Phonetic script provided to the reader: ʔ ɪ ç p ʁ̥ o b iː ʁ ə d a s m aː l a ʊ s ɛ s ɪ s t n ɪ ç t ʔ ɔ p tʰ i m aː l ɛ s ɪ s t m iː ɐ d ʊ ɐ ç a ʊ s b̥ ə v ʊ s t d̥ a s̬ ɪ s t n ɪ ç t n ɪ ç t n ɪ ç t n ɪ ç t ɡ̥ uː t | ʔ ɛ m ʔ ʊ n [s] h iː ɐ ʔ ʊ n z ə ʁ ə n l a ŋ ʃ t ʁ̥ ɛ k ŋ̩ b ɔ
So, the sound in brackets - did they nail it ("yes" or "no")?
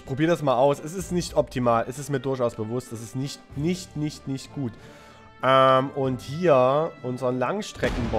no